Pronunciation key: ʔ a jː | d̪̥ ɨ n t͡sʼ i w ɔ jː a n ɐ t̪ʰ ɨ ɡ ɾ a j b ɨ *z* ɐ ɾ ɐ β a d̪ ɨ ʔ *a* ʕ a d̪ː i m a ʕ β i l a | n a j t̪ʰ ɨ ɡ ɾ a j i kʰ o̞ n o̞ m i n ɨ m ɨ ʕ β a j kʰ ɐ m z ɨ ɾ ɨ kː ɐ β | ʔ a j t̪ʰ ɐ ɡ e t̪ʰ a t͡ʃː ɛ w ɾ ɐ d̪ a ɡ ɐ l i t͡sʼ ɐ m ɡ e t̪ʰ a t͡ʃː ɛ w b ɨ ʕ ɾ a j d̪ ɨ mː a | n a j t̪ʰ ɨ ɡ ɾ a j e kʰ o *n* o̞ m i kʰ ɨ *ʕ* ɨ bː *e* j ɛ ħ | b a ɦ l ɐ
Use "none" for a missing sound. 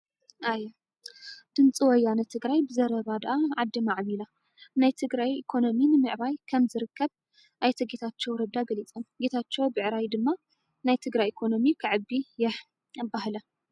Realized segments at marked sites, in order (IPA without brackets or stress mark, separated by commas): z, a, n, ʕ, i